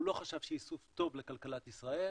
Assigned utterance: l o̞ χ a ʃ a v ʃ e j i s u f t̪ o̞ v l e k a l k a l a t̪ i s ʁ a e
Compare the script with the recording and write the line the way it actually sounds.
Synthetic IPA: l o̞ χ a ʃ a v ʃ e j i s u f t̪ o̞ v l e k a l k a l a t̪ i s ʁ a e